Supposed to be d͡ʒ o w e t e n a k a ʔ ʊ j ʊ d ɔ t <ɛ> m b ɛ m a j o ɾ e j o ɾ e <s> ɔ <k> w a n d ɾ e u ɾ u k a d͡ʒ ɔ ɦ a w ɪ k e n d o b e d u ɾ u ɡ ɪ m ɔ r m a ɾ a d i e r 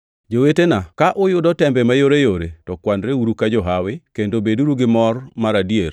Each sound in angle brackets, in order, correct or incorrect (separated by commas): correct, incorrect, correct